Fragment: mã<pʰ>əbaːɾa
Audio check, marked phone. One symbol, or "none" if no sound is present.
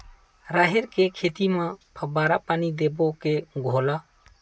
pʰ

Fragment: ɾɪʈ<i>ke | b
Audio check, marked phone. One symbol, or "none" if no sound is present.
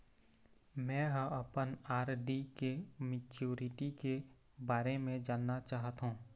i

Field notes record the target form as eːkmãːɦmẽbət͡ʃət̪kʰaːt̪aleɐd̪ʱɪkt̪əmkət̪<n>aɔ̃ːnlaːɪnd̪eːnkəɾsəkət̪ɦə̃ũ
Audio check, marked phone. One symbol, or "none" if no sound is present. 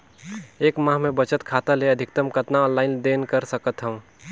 n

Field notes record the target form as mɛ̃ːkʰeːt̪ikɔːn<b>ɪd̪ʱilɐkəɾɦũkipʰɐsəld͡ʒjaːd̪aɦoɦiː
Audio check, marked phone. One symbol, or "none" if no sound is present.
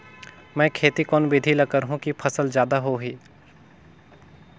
b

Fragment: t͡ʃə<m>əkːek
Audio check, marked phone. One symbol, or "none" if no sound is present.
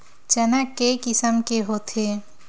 n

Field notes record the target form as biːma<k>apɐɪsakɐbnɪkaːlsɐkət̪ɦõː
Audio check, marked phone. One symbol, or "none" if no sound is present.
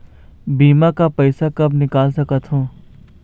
k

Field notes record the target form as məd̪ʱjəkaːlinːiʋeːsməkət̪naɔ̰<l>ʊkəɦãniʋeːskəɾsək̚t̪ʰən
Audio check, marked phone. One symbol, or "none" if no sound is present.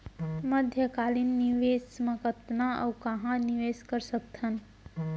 none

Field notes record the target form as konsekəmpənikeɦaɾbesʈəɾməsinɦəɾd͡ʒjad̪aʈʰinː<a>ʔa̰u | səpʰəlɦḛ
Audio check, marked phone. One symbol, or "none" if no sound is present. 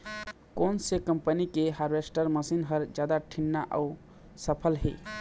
a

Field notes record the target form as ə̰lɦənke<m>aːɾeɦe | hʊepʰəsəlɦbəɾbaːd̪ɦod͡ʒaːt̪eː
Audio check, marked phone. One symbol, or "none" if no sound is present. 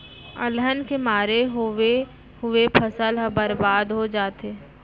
m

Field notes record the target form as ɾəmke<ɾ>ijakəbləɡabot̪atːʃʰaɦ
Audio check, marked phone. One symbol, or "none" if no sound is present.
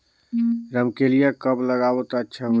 l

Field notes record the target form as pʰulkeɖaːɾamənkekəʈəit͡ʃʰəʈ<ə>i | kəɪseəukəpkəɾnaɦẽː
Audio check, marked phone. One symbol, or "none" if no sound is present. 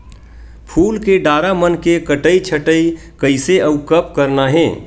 ə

